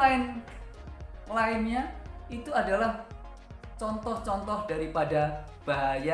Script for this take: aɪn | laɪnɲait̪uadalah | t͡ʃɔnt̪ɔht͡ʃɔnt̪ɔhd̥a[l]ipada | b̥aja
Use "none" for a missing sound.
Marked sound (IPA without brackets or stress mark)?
ɾ